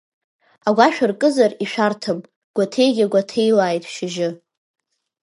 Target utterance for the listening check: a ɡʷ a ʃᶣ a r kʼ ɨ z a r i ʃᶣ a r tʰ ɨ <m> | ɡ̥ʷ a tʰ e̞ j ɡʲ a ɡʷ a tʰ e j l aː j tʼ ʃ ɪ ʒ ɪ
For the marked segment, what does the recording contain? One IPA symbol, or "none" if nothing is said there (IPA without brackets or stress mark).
m